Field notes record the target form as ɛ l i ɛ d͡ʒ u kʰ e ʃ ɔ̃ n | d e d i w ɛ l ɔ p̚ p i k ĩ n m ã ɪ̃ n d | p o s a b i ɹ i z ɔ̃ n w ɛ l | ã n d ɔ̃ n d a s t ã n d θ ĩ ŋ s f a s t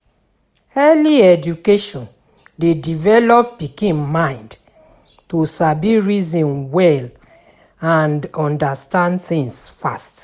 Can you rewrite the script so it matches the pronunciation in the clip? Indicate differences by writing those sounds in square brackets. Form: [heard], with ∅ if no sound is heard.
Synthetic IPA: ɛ l i ɛ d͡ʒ u [k] e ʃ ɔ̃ n | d e d i [v] ɛ l ɔ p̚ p i k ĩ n m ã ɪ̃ n d | [t] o s a b i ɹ i z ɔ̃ n w ɛ l | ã n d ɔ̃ n d a s t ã n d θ ĩ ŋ s f a s t